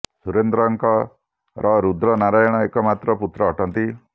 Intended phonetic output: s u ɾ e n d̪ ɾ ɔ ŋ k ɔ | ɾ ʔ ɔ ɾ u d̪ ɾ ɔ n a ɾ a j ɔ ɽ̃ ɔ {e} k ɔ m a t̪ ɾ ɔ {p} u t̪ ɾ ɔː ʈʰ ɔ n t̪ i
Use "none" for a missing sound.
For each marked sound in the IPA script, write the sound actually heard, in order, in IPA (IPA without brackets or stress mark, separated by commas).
e, p